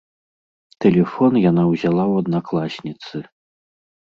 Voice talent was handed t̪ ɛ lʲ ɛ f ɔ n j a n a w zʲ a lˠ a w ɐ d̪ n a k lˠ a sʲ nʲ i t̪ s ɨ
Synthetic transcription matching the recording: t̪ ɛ lʲ ɛ f ɔ n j a n a w zʲ a lˠ a w ɐ d̪ n a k lˠ a sʲ nʲ i t̪ s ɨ

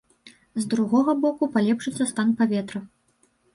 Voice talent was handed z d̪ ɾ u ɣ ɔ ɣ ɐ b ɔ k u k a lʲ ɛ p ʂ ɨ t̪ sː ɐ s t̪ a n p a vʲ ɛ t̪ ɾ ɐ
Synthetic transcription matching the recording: z d̪ ɾ u ɣ ɔ ɣ ɐ b ɔ k u p a lʲ ɛ p ʂ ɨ t̪ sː ɐ s t̪ a n p a vʲ ɛ t̪ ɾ ɐ

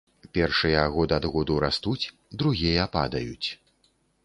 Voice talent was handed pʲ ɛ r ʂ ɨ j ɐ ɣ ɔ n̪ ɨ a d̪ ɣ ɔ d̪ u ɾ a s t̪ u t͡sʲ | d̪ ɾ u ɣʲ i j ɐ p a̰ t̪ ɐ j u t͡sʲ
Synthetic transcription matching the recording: pʲ ɛ r ʂ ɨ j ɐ ɣ ɔ d̪ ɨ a d̪ ɣ ɔ d̪ u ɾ a s t̪ u t͡sʲ | d̪ ɾ u ɣʲ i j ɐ p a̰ d̪ ɐ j u t͡sʲ

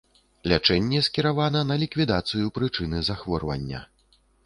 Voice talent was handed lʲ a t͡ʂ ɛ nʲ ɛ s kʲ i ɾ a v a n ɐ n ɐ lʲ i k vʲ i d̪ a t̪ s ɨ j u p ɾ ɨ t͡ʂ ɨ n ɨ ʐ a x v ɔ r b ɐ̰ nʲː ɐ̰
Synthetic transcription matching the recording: lʲ a t͡ʂ ɛ nʲː ɛ s kʲ i ɾ a v a n ɐ n ɐ lʲ i k vʲ i d̪ a t̪ s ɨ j u p ɾ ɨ t͡ʂ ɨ n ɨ z a x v ɔ r v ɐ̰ nʲː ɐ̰

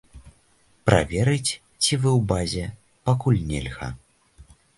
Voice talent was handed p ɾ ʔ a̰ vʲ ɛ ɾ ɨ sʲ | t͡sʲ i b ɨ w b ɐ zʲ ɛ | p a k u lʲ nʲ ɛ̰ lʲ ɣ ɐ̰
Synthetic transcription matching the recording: p ɾ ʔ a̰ vʲ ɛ ɾ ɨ t͡sʲ | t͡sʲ i v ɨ w b a zʲ ɛ | p a k u lʲ nʲ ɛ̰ lʲ ɣ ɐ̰

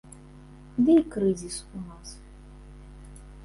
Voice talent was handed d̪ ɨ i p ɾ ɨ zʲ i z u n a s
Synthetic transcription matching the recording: d̪ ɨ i k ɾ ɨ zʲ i s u n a s

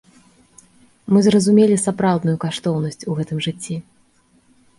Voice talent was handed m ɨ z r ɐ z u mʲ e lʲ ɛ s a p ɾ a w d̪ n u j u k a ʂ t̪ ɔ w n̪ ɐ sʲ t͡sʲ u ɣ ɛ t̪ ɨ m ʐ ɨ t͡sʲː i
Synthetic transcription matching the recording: m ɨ z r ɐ z u mʲ e lʲ i s a p ɾ a w d̪ n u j u k a ʂ t̪ ɔ w n̪ ɐ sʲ t͡sʲ u ɣ ɛ t̪ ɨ m ʐ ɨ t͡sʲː i

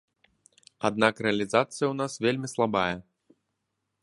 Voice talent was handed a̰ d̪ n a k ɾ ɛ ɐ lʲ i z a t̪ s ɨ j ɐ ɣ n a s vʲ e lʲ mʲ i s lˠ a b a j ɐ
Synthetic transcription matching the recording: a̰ d̪ n a k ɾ ɛ ɐ lʲ i z a t̪ s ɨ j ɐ w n a s vʲ e lʲ mʲ i s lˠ a b a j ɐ

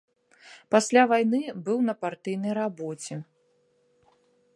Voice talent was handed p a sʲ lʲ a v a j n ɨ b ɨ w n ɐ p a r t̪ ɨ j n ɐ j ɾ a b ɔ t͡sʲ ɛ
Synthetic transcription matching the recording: p a sʲ lʲ a v a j n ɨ b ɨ w n ɐ p a r t̪ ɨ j n ɐ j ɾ a b ɔ t͡sʲ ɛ

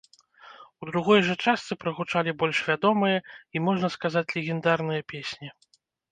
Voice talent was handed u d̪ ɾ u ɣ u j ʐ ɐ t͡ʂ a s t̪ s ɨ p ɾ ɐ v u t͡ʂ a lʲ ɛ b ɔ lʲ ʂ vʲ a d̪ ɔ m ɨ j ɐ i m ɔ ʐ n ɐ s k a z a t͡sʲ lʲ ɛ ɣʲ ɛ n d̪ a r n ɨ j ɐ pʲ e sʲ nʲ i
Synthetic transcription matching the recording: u d̪ ɾ u ɣ ɔ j ʐ ɐ t͡ʂ a s t̪ s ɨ p ɾ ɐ ɣ u t͡ʂ a lʲ i b ɔ lʲ ʂ vʲ a d̪ ɔ m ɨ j ɐ i m ɔ ʐ n ɐ s k a z a t͡sʲ lʲ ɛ ɣʲ ɛ n d̪ a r n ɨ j ɐ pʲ e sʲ nʲ i

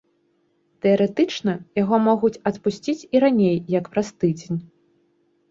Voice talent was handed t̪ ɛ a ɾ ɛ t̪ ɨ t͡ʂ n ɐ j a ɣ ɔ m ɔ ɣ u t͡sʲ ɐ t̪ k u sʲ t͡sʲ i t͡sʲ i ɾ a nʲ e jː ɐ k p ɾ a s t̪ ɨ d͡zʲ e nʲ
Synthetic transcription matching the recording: t̪ ɛ ɐ ɾ ɛ t̪ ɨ t͡ʂ n ɐ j a ɣ ɔ m ɔ ɣ u t͡sʲ ɐ t̪ p u sʲ t͡sʲ i t͡sʲ i ɾ a nʲ e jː ɐ k p ɾ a s t̪ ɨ d͡zʲ e nʲ

